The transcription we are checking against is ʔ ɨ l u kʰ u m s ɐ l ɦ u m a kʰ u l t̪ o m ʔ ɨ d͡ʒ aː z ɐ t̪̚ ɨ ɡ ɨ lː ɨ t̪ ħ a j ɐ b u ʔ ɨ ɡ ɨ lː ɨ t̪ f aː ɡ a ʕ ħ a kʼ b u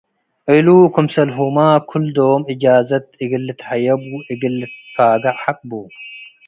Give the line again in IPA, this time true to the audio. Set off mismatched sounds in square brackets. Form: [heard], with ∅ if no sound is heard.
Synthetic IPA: ʔ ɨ l u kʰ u m s ɐ l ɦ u m a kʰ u l [d̪] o m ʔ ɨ d͡ʒ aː z ɐ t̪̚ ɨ ɡ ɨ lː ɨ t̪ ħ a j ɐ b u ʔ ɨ ɡ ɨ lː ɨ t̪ f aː ɡ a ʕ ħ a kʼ b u